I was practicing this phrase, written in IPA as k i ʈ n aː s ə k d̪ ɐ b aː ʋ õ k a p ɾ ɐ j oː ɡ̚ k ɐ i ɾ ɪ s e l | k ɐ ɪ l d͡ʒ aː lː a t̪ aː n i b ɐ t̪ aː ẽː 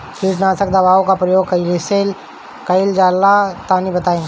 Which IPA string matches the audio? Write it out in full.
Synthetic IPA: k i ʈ n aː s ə k d̪ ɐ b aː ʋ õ k a p ɾ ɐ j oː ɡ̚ k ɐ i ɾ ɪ s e l | k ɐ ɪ l d͡ʒ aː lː a t̪ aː n i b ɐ t̪ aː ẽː